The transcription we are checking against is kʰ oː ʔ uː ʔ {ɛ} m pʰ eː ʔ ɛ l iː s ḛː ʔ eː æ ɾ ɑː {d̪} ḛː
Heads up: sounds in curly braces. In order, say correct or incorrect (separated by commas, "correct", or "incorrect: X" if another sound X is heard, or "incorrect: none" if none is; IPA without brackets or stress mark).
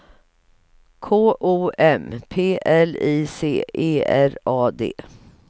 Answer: correct, correct